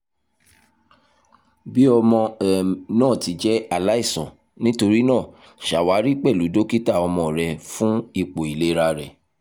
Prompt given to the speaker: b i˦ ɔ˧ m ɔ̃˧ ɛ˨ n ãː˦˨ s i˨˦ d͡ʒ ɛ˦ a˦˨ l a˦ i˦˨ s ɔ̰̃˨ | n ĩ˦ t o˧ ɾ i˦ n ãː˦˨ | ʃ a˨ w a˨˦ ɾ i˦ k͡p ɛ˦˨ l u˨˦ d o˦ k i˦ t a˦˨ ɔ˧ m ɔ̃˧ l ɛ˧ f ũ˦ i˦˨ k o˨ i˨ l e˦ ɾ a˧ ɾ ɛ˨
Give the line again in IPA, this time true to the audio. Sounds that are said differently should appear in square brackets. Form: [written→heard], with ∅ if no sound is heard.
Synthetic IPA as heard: b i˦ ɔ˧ m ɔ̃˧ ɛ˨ n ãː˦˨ [s→t] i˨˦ d͡ʒ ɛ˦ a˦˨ l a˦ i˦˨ s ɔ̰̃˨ | n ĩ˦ t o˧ ɾ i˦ n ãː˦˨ | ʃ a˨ w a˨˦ ɾ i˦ k͡p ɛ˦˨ l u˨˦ d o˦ k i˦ t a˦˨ ɔ˧ m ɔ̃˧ [l→ɾ] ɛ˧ f ũ˦ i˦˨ [k→k͡p] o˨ i˨ l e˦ ɾ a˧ ɾ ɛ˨